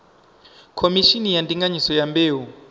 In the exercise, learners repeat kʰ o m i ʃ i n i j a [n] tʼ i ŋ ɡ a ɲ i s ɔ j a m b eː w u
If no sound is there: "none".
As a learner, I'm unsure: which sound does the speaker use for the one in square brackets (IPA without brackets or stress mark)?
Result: n